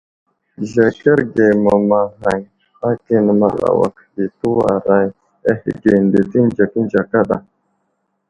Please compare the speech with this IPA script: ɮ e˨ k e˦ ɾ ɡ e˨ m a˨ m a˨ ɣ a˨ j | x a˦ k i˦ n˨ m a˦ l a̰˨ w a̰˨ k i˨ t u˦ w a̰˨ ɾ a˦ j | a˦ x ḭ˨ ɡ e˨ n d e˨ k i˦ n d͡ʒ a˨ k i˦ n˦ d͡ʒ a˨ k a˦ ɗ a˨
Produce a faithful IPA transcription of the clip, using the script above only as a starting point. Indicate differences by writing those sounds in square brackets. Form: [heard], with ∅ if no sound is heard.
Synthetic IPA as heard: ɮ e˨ k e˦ ɾ ɡ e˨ m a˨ m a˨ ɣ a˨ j | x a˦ k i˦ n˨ m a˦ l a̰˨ w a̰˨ k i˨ t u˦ w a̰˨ ɾ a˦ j | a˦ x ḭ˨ ɡ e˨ n d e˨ [t] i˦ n d͡ʒ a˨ k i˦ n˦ d͡ʒ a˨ k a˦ ɗ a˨